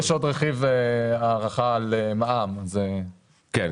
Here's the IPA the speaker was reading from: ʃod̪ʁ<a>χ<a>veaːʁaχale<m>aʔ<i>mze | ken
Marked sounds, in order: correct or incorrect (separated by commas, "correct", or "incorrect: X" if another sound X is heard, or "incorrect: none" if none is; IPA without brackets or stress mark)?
incorrect: e, incorrect: i, correct, incorrect: a